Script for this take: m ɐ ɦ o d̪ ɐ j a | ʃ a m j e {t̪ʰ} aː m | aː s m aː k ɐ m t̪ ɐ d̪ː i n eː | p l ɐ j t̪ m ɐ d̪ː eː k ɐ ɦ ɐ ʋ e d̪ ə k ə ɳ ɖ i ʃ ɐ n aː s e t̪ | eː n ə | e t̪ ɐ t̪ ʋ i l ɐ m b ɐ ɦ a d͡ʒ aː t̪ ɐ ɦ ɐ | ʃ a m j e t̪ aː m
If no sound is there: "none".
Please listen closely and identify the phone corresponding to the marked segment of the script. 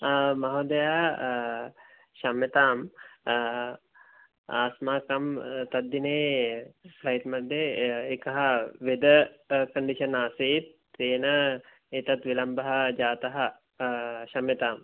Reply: t̪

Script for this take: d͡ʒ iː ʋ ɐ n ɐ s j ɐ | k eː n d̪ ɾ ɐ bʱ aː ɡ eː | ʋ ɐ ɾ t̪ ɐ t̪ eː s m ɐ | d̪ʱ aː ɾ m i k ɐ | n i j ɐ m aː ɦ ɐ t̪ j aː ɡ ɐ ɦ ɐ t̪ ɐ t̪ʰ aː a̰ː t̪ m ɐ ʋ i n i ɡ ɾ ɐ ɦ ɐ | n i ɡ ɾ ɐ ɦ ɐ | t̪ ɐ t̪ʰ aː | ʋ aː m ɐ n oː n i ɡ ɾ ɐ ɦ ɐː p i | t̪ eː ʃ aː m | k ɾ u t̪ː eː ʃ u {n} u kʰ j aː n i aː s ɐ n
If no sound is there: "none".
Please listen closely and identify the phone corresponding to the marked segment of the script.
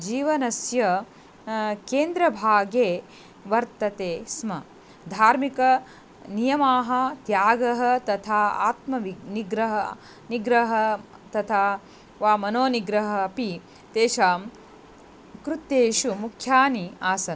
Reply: m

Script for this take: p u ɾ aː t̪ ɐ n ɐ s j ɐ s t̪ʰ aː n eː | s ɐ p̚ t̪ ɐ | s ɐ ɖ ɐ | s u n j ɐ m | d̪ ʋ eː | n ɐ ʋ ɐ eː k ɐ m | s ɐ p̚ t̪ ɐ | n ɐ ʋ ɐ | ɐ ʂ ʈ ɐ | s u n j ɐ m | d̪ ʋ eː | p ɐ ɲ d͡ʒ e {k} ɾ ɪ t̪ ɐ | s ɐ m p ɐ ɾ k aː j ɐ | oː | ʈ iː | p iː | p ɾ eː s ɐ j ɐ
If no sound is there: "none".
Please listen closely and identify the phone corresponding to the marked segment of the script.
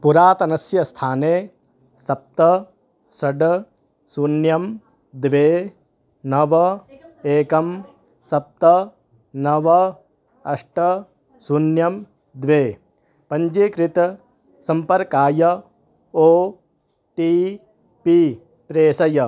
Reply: k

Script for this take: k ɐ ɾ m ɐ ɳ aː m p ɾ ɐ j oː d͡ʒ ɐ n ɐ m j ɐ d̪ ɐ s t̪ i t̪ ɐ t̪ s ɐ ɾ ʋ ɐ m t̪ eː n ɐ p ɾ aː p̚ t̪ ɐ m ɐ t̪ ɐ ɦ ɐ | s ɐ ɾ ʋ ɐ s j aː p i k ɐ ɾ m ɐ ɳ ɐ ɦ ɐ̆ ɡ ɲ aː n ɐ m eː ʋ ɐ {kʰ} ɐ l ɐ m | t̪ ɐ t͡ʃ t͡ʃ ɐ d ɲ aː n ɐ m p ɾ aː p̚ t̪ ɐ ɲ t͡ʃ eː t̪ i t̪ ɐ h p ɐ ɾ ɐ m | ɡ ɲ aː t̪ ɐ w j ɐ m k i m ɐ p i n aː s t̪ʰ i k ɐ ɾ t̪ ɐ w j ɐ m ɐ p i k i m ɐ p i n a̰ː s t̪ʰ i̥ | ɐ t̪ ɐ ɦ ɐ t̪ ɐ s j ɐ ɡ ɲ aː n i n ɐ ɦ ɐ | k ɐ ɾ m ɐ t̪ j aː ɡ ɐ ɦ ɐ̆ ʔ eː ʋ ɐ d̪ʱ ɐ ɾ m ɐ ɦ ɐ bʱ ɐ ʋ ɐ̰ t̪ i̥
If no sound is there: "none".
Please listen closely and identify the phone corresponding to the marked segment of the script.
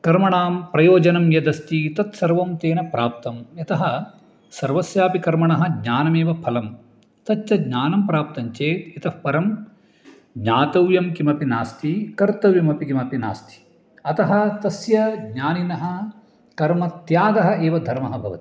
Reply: pʰ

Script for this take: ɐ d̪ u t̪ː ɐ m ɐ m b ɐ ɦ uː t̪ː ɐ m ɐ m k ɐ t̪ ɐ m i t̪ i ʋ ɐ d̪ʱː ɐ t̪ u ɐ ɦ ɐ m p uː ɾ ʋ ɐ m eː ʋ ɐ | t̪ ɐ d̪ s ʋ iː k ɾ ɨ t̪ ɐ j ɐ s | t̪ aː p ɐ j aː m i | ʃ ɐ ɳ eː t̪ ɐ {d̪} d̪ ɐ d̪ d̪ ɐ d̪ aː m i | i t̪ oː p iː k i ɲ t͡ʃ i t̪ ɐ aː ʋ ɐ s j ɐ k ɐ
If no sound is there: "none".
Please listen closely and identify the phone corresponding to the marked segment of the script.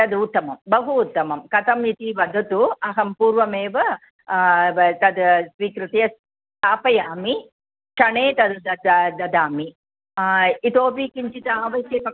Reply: d̪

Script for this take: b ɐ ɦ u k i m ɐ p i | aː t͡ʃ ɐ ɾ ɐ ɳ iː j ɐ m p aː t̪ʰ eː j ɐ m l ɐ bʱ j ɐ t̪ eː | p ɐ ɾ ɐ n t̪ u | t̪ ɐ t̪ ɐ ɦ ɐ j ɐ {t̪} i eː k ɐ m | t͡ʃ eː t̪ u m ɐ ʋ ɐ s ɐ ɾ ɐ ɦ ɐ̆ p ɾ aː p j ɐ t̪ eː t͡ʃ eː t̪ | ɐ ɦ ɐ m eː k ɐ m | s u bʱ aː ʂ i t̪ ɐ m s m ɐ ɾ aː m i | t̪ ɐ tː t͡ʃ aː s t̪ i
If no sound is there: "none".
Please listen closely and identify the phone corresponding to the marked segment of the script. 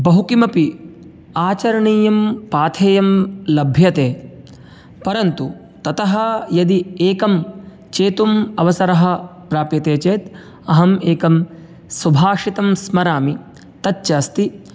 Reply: d̪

